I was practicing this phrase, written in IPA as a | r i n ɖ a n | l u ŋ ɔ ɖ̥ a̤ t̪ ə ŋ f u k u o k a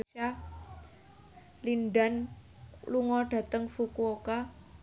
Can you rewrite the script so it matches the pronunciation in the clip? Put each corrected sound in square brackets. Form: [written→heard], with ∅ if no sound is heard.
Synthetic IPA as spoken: a | [r→l] i n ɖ a n | l u ŋ ɔ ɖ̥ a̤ t̪ ə ŋ f u k u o k a